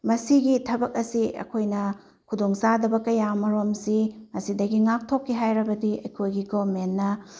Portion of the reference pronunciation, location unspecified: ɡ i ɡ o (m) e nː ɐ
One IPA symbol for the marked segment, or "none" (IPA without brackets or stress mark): m